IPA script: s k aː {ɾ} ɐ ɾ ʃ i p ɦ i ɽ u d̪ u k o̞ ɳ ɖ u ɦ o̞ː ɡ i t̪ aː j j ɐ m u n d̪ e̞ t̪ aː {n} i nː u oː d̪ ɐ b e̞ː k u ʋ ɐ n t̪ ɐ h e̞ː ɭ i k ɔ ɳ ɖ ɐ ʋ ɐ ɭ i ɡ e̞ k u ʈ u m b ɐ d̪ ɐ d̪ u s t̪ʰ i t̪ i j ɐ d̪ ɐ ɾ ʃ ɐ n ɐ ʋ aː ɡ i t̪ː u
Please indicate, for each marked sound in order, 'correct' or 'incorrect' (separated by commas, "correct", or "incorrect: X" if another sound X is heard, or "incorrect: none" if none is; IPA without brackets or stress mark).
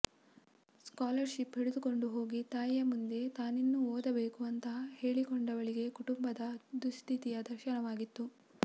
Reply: incorrect: l, correct